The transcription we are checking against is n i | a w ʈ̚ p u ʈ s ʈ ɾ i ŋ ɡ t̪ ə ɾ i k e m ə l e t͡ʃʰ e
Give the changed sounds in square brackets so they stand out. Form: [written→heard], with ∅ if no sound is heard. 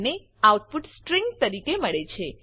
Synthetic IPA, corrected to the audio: n [i→e] | a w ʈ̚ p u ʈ s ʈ ɾ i ŋ ɡ t̪ ə ɾ i k e m ə [l→ɭ] e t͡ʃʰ e